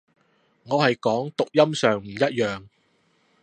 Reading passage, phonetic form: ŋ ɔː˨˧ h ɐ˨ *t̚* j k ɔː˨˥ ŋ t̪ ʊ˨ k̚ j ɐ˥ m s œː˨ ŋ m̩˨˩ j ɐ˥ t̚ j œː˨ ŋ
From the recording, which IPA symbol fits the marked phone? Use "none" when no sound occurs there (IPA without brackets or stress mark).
none